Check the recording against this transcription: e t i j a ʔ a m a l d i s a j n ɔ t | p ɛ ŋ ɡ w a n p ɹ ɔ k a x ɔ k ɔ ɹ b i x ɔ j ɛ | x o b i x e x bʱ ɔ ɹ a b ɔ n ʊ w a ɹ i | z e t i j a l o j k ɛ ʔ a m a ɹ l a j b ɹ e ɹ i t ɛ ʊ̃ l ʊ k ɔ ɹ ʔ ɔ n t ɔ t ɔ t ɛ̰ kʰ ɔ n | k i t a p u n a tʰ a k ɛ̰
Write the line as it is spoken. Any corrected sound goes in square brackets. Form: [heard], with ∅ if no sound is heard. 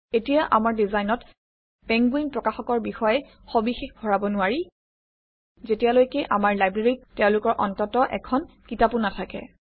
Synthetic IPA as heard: e t i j a ʔ a m a [ɹ] d i [z] a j n ɔ t | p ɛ ŋ ɡ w [i] n p ɹ ɔ k a x ɔ k ɔ ɹ b i x ɔ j ɛ | x o b i x e x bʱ ɔ ɹ a b ɔ n ʊ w a ɹ i | z e t i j a l o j k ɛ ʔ a m a ɹ l a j b ɹ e ɹ i t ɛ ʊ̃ l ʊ k ɔ ɹ ʔ ɔ n t ɔ t ɔ [ʔ] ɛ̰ kʰ ɔ n | k i t a p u n a tʰ a k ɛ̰